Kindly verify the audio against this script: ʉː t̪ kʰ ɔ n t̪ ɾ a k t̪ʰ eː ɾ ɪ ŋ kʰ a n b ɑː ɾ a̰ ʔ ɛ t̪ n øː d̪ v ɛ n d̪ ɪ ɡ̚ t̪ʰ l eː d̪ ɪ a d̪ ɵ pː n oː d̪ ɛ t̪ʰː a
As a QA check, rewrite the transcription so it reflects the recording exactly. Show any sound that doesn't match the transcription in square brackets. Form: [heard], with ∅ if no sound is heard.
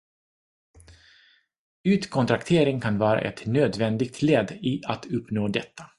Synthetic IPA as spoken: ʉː t̪ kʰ ɔ n t̪ ɾ a k t̪ʰ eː ɾ ɪ ŋ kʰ a n [v] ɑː ɾ a̰ ʔ ɛ t̪ n øː d̪ v ɛ n d̪ ɪ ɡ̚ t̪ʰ l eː d̪ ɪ a [t̪] ɵ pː n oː d̪ ɛ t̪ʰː a